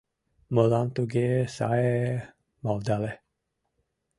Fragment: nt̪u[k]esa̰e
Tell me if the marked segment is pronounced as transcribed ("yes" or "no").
no